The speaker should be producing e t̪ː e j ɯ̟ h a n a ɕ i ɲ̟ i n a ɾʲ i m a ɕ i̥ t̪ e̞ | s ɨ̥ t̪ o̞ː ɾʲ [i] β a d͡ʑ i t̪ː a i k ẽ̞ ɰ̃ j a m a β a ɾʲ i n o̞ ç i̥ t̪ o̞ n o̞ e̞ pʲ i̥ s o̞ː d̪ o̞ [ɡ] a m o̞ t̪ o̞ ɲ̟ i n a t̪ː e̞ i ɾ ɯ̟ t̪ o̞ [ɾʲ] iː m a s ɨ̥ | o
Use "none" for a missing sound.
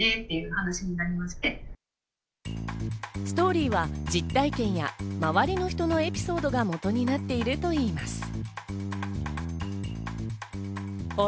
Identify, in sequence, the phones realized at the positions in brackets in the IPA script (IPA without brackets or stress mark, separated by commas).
iː, ɡ, none